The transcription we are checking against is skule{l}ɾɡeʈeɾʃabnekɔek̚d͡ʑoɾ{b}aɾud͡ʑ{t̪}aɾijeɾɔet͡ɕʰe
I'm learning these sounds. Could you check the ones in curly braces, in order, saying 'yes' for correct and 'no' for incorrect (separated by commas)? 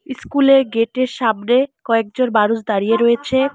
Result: no, yes, no